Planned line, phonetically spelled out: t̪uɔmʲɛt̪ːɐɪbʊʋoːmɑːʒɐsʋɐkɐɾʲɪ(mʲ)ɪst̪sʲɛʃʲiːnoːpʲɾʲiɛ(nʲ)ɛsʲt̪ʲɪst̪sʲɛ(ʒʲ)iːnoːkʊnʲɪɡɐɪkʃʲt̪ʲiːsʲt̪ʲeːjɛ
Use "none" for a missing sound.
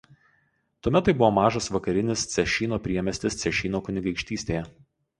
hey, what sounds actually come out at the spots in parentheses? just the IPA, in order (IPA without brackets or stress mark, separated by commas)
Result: nʲ, mʲ, ʃʲ